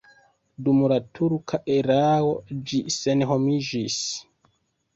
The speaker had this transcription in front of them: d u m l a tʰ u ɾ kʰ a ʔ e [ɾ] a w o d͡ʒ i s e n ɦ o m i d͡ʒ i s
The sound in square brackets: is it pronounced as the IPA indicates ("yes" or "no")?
yes